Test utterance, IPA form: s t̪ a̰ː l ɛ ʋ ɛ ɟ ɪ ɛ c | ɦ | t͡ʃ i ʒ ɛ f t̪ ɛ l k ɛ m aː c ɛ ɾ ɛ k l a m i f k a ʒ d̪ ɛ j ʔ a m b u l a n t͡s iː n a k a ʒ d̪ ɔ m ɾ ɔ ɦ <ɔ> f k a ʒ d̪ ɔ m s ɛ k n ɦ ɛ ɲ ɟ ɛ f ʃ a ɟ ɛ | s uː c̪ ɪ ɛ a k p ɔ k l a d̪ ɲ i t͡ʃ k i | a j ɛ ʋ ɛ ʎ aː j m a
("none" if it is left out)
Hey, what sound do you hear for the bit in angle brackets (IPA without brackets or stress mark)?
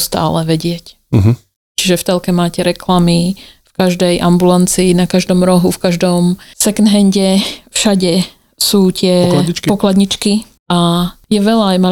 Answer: u